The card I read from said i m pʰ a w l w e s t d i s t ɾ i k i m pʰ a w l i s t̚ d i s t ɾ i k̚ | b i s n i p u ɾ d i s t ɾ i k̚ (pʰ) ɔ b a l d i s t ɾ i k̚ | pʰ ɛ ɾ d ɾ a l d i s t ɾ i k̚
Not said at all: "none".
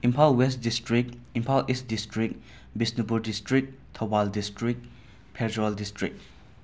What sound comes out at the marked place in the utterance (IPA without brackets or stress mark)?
tʰ